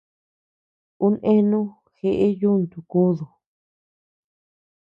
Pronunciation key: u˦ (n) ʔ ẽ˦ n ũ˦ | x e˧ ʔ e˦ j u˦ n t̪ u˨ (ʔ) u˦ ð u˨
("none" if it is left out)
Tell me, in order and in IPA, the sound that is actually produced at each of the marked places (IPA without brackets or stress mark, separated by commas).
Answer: n, k